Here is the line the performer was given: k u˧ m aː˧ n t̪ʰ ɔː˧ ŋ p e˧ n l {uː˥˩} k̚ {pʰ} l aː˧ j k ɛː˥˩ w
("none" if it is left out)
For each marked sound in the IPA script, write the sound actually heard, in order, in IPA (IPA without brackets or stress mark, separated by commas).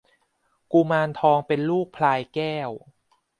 uː˥˩, pʰ